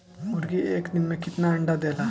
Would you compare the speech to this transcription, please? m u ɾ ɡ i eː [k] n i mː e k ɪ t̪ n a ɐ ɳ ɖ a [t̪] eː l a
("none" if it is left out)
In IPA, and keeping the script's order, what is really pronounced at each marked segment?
k, d̪

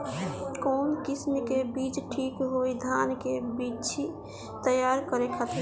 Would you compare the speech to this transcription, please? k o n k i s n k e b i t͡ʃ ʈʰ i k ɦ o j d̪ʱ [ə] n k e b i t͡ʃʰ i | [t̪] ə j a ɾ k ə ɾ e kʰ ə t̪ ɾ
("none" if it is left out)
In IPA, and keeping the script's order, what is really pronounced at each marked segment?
a, t̪

